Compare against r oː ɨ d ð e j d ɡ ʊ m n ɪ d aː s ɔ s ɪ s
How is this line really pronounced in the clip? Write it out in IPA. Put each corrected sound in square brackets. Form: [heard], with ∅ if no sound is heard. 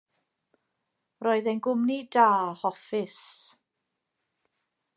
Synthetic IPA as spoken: r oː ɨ [∅] ð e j [n] ɡ ʊ m n [i] d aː [h] ɔ [f] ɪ s